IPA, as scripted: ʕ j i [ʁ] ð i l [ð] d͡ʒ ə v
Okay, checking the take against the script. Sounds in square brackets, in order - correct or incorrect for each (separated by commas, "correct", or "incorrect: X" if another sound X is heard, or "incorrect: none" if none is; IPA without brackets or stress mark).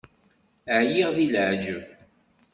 correct, incorrect: ʕ